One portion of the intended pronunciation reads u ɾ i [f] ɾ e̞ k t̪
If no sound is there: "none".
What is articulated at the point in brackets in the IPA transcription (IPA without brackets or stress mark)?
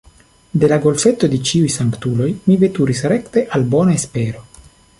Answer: s